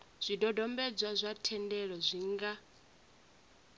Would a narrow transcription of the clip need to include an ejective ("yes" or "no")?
no